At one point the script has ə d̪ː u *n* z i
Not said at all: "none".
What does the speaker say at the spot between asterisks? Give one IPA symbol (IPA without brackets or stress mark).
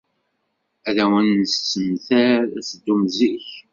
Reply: m